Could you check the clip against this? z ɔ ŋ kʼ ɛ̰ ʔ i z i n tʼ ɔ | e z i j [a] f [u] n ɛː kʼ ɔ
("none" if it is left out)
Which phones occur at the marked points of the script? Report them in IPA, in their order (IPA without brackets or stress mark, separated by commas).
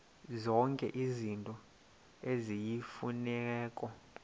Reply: i, u